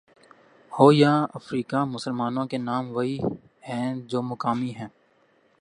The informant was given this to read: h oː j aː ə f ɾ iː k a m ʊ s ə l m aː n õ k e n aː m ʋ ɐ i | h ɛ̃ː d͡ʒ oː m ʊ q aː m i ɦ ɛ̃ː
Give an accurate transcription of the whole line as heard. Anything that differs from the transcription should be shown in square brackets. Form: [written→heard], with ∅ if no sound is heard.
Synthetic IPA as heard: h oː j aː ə f ɾ iː k a m ʊ s ə l m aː n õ k e n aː m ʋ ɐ i | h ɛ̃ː d͡ʒ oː m ʊ [q→k] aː m i ɦ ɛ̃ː

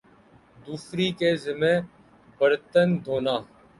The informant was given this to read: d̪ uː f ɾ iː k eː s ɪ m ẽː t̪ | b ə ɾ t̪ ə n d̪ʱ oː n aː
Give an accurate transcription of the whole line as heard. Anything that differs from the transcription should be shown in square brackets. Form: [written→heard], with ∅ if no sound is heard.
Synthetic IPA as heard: d̪ uː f ɾ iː k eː [s→z] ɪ m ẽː [t̪→∅] | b ə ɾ t̪ ə n d̪ʱ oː n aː

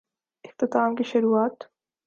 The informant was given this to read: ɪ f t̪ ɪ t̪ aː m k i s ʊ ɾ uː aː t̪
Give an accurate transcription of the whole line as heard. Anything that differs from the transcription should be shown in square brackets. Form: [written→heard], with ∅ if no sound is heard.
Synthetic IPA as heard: ɪ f t̪ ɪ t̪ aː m k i [s→ʃ] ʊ ɾ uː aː t̪

